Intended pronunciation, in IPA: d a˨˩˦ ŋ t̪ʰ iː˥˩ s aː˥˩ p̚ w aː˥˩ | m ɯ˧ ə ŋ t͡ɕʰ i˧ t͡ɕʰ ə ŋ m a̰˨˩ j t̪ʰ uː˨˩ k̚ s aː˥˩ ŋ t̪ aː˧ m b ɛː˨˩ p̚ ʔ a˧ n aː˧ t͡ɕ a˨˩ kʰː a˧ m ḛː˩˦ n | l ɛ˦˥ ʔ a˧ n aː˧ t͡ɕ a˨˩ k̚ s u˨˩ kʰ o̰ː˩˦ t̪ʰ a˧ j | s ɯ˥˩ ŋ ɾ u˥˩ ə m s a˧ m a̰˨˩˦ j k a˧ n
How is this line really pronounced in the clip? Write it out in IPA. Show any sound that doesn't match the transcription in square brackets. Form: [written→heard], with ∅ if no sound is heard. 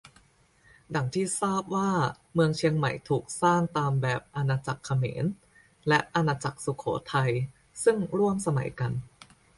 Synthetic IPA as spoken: d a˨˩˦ ŋ t̪ʰ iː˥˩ s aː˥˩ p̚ w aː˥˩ | m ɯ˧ ə ŋ t͡ɕʰ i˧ [t͡ɕʰ→∅] ə ŋ m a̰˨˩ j t̪ʰ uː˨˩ k̚ s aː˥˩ ŋ t̪ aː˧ m b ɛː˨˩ p̚ ʔ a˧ n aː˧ t͡ɕ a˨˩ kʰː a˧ m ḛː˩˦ n | l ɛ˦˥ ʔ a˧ n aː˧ t͡ɕ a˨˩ k̚ s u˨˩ kʰ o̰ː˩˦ t̪ʰ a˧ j | s ɯ˥˩ ŋ ɾ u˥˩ ə m s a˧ m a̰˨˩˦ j k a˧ n